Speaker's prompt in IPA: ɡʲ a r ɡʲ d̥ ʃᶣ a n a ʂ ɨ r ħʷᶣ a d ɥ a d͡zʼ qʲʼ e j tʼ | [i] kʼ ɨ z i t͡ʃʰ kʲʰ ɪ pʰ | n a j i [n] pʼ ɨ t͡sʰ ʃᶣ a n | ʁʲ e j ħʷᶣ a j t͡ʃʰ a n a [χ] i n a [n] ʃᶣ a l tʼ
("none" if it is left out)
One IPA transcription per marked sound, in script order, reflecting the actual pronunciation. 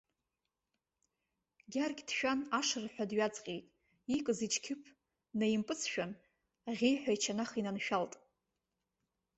i, m, χ, n

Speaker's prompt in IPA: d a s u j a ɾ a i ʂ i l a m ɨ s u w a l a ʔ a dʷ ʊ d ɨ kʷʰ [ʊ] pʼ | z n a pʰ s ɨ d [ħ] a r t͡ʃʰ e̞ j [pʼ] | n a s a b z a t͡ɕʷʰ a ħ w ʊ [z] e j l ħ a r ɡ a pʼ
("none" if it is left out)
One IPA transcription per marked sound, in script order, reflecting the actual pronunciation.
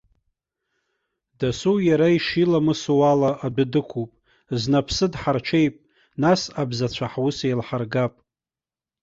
u, ħ, pʼ, s

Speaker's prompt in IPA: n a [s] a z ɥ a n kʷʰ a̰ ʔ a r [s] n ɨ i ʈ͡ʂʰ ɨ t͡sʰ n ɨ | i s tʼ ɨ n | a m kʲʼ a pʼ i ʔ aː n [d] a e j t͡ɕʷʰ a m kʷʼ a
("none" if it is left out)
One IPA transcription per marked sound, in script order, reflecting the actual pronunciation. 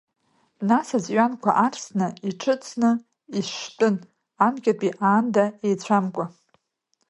s, s, d

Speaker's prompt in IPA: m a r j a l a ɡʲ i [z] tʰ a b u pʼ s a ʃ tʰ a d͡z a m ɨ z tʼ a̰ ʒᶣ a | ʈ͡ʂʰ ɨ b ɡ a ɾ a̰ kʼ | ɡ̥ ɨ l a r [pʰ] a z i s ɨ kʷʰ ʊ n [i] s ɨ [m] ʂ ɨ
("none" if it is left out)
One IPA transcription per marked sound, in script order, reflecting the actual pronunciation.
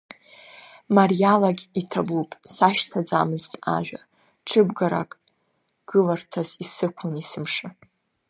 none, tʰ, i, m

